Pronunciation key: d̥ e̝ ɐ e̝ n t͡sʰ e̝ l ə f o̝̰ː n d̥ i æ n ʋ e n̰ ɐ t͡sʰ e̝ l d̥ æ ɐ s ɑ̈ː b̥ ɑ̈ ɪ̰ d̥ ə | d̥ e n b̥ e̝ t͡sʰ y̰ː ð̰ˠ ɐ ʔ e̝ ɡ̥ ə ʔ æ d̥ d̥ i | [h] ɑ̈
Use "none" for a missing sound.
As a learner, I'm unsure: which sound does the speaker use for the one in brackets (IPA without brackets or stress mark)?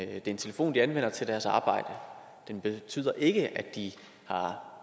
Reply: h